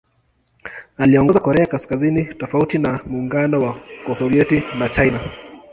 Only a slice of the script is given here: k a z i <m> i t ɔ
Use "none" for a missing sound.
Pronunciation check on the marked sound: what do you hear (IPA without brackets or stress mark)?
n